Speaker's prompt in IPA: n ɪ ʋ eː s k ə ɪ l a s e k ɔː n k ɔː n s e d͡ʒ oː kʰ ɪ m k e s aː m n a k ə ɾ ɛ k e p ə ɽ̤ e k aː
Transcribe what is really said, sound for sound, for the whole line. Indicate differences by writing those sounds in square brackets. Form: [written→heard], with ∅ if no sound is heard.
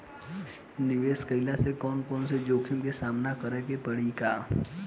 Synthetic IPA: n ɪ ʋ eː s k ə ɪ l a s e k ɔː n k ɔː n s e d͡ʒ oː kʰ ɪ m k e s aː m n a k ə ɾ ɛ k e p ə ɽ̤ [e→i] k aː